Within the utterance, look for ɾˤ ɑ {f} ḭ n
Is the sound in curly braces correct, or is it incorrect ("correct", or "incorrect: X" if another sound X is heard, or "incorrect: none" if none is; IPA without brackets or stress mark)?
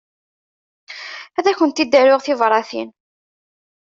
incorrect: θ